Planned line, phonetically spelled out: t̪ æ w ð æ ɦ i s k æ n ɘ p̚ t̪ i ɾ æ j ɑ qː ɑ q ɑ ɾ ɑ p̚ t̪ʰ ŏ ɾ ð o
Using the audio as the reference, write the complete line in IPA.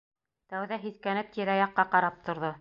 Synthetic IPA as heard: t̪ æ w ð æ ɦ i θ k æ n ɘ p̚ t̪ i ɾ æ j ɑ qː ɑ q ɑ ɾ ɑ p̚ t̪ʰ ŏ ɾ ð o